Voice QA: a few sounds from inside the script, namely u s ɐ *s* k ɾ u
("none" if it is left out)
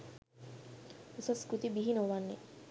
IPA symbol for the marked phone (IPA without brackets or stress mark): s